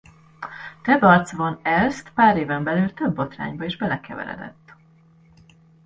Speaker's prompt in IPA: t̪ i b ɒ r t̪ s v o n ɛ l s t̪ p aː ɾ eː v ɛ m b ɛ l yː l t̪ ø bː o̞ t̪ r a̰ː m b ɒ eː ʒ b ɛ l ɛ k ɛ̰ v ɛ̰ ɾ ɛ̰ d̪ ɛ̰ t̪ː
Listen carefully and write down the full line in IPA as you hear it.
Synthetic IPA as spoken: t̪ ɛ b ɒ r t̪ s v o n ɛ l s t̪ p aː ɾ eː v ɛ m b ɛ l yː l t̪ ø bː o̞ t̪ r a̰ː ɲ b ɒ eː ʒ b ɛ l ɛ k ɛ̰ v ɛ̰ ɾ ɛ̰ d̪ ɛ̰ t̪ː